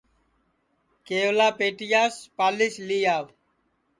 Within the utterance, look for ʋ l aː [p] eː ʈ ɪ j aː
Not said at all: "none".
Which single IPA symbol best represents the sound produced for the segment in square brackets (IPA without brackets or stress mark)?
p